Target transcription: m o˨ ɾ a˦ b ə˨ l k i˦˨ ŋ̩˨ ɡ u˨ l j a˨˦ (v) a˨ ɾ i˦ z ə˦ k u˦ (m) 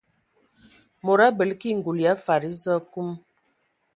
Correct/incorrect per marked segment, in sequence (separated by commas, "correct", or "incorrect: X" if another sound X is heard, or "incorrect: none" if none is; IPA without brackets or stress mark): incorrect: f, correct